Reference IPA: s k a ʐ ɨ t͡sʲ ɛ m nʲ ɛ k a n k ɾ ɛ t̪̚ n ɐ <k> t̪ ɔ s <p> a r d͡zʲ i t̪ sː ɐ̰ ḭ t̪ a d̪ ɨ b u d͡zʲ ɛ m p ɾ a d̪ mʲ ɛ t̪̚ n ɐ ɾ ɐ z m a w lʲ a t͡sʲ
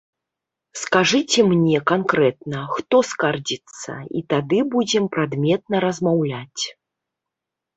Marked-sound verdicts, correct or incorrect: incorrect, incorrect

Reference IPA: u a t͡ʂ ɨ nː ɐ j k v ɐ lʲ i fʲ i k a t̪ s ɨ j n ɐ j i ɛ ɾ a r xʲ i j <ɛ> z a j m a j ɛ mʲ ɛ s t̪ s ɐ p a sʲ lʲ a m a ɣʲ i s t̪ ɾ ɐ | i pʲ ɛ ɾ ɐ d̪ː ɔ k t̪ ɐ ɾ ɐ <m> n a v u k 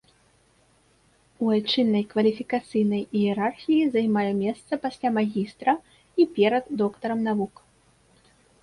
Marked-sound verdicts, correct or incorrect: incorrect, correct

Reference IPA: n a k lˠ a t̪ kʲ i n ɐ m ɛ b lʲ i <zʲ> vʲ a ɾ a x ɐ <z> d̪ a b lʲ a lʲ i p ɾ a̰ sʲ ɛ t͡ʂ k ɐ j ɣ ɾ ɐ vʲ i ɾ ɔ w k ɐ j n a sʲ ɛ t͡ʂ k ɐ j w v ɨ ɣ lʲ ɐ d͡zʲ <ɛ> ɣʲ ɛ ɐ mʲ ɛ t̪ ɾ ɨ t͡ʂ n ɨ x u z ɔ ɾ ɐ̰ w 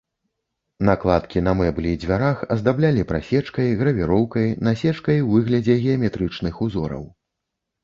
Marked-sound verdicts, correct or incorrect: incorrect, correct, correct

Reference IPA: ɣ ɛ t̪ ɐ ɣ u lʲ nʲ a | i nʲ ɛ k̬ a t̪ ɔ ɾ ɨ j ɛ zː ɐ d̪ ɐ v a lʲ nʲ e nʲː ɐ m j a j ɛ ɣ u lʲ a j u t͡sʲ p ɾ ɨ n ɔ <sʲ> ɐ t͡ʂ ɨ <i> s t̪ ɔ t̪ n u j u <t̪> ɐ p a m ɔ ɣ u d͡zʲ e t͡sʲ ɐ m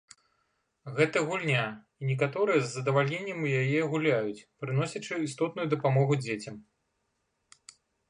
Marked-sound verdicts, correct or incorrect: correct, correct, incorrect

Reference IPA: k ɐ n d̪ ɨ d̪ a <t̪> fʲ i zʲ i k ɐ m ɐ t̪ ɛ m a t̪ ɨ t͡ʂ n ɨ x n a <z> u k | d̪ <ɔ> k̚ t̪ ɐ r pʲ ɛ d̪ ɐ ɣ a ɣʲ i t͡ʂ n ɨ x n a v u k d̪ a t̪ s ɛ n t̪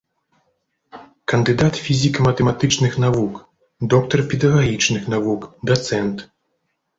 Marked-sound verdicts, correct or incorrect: correct, incorrect, correct

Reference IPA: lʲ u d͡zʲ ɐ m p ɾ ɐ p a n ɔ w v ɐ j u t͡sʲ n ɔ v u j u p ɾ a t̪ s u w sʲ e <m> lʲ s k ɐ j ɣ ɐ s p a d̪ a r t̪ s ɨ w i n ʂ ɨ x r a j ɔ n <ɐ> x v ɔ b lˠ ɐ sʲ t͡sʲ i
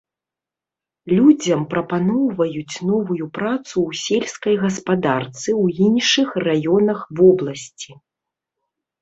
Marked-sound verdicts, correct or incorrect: incorrect, correct

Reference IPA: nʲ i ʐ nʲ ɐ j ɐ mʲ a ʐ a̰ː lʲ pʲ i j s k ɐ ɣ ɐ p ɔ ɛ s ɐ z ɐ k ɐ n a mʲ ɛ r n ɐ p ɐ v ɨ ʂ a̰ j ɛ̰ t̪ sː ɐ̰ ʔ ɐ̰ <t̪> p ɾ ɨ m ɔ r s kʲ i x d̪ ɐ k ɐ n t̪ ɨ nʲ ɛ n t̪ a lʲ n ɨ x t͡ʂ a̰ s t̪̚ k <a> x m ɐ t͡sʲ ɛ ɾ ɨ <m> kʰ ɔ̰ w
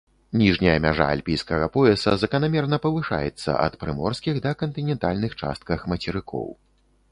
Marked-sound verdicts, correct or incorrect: correct, incorrect, incorrect

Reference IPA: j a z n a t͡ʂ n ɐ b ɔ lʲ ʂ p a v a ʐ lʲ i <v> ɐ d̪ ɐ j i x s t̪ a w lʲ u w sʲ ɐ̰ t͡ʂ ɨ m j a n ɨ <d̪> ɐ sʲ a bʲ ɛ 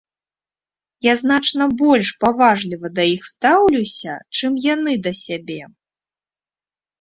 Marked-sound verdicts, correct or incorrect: correct, correct

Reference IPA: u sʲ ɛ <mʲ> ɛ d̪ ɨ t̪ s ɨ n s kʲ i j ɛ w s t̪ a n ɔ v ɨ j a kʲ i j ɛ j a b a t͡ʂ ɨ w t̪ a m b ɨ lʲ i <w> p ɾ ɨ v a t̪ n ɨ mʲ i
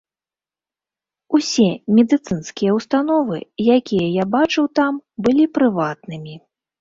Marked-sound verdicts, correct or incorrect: correct, incorrect

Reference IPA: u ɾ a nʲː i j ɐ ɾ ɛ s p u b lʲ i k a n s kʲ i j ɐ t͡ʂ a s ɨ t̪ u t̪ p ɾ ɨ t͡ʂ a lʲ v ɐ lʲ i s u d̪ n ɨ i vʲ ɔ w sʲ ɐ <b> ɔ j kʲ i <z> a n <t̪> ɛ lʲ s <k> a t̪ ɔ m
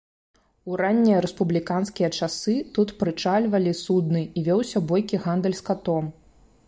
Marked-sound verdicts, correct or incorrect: correct, incorrect, incorrect, correct

